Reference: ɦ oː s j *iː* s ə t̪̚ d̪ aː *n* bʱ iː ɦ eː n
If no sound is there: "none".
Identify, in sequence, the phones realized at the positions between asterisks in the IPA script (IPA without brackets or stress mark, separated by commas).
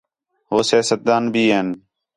aː, n